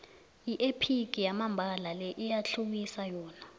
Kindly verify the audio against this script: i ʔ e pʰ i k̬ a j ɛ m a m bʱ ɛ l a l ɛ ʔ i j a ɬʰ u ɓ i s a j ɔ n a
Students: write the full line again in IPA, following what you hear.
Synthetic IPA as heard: i ʔ e pʰ i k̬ i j a m a m bʱ a l a l ɛ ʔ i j a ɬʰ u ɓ i s a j ɔː n a